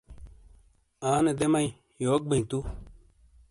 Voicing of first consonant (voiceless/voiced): voiced